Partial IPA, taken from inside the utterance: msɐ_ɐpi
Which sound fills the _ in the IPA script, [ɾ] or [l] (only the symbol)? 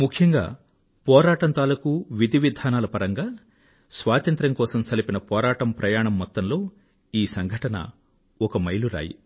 l